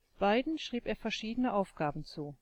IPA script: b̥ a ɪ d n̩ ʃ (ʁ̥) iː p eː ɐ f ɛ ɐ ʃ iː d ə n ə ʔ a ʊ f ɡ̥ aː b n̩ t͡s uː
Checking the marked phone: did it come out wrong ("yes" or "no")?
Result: no